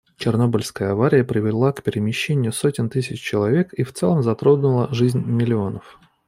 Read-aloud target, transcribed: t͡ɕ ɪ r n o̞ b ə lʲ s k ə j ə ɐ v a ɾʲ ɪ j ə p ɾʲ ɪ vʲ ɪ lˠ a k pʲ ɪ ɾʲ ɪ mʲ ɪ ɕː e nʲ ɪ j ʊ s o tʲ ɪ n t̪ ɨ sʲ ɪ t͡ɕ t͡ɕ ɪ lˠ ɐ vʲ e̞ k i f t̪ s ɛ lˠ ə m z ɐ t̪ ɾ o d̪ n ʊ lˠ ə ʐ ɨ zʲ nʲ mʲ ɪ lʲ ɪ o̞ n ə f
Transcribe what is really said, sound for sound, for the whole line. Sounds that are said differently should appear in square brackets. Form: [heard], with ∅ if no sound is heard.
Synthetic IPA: t͡ɕ ɪ r n o̞ b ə lʲ s k ə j ə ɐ v a ɾʲ ɪ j ə p ɾʲ ɪ vʲ ɪ lˠ a k pʲ ɪ ɾʲ ɪ mʲ ɪ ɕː e nʲ ɪ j ʊ s o tʲ ɪ n t̪ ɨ sʲ ɪ t͡ɕ t͡ɕ ɪ lˠ ɐ vʲ e̞ k i f t̪ s ɛ lˠ ə m z ɐ t̪ ɾ o d̪ n ʊ lˠ ə ʐ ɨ zʲ nʲ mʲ ɪ lʲ ɪ o̞ n ə f